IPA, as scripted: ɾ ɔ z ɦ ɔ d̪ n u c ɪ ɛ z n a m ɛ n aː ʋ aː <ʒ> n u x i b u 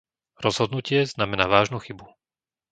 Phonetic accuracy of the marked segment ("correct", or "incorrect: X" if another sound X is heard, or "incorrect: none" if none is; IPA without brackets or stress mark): correct